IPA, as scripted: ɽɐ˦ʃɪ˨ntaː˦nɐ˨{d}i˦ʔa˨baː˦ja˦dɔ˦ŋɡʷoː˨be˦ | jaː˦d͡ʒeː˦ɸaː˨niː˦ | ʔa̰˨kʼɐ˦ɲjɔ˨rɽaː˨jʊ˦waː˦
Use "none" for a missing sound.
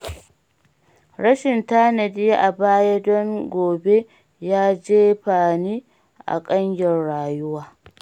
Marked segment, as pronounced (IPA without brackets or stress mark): d